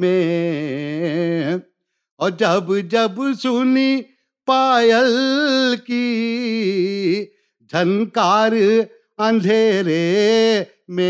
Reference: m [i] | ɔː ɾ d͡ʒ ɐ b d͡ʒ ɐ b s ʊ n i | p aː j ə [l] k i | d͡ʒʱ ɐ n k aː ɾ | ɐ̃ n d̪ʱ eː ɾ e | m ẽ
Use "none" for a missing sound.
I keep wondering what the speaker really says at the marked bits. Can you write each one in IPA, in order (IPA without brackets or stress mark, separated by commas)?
e, l